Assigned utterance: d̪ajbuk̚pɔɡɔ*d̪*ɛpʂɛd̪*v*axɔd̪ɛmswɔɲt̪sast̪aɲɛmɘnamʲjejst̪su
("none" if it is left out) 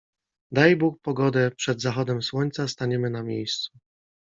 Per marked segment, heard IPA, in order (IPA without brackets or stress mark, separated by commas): d̪, z